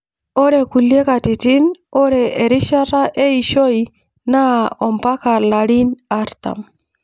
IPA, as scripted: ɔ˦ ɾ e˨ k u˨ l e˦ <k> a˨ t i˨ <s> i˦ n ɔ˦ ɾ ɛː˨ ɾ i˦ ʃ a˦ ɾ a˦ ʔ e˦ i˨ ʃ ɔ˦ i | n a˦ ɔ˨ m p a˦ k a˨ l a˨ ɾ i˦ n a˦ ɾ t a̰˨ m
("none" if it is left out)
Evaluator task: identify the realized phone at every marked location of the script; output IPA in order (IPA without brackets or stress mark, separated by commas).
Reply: k, t